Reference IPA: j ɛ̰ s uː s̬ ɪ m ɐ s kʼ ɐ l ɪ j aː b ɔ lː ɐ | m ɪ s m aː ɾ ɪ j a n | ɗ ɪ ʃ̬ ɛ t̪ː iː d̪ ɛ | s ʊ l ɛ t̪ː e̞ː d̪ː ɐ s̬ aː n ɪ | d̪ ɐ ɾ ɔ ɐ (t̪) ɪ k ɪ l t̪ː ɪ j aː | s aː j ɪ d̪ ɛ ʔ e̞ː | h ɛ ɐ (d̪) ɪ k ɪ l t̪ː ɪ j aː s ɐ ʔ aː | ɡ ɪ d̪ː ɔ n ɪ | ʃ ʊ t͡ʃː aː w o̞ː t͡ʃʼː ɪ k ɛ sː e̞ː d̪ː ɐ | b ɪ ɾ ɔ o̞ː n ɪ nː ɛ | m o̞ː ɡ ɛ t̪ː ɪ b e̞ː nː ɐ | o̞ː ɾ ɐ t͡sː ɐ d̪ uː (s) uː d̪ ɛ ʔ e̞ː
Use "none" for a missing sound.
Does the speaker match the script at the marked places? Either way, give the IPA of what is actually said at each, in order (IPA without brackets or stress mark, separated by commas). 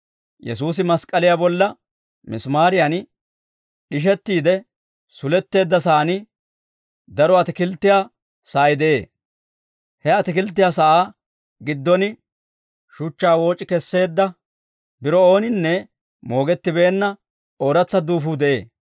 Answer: t̪, t̪, f